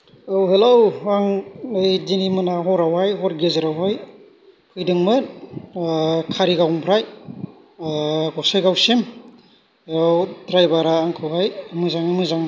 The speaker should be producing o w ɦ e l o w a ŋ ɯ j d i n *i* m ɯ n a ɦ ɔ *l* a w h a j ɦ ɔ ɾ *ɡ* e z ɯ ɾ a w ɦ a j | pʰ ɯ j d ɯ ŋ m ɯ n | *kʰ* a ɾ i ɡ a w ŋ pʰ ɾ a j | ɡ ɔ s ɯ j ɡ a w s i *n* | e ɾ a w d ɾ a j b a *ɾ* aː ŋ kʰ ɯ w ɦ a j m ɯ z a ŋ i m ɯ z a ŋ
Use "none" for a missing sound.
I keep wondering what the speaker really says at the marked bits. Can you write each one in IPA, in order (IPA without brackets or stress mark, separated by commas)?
i, ɾ, ɡ, kʰ, m, ɾ